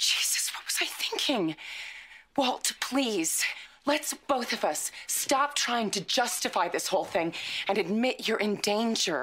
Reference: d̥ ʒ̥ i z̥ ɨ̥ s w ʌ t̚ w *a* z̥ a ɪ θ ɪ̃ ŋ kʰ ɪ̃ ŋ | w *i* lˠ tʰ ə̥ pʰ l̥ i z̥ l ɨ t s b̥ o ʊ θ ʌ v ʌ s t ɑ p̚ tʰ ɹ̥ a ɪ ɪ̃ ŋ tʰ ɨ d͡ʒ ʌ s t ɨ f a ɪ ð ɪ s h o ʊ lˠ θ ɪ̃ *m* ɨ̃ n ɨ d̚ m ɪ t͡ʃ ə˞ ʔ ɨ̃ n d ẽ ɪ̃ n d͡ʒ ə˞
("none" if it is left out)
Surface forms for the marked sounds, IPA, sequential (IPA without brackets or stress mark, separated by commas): ʌ, ɛ, ŋ